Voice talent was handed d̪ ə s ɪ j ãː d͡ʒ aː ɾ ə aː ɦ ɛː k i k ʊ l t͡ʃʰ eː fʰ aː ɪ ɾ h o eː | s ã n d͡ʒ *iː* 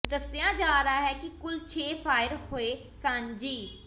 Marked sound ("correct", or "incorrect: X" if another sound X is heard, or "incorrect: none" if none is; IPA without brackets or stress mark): correct